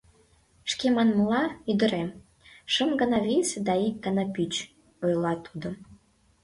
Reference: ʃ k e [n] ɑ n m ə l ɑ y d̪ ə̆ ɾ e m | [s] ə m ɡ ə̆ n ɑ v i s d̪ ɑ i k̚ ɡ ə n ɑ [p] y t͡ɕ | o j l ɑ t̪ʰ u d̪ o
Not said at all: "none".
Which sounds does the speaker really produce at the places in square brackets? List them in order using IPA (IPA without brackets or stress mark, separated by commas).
m, ʃ, p